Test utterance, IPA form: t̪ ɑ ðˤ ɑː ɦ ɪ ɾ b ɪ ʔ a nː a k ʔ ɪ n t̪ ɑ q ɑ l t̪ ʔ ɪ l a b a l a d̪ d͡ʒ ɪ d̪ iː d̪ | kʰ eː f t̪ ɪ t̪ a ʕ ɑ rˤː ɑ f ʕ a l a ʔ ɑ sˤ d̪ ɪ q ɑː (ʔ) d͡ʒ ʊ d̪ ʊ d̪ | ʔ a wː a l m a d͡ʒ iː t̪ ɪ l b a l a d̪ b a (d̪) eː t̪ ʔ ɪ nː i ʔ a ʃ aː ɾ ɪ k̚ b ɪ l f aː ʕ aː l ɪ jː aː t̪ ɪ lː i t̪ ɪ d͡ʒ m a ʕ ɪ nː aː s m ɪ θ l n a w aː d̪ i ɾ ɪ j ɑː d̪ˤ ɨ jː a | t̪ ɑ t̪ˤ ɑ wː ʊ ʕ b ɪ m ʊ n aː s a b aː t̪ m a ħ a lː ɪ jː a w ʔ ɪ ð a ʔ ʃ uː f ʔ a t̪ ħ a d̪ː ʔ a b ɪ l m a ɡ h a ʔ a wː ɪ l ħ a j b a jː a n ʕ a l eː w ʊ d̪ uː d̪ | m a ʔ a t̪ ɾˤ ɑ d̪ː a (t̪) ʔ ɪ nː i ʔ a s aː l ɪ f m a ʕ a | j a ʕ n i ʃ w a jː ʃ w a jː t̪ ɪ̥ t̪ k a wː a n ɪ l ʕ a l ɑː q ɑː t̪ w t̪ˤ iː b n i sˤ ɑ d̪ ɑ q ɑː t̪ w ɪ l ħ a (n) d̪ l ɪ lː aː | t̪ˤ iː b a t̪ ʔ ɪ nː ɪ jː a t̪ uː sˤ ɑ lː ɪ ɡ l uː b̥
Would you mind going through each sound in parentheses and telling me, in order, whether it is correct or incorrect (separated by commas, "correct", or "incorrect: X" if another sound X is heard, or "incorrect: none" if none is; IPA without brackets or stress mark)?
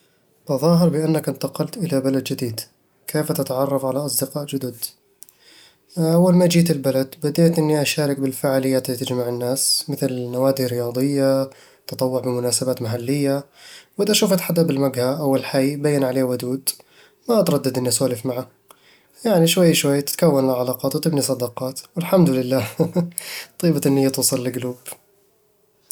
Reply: correct, correct, incorrect: d̪, incorrect: m